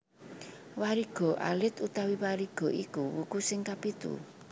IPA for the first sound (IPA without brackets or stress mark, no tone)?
w